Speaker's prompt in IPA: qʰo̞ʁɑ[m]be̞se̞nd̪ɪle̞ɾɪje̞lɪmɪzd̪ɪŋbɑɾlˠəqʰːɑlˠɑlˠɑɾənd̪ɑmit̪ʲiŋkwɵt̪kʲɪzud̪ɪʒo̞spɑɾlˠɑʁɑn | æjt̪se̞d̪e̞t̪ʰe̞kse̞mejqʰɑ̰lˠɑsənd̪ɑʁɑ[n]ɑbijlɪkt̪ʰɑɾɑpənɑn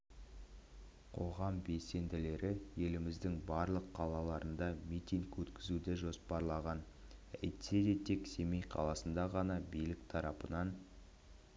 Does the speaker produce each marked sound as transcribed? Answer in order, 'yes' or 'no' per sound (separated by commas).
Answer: yes, yes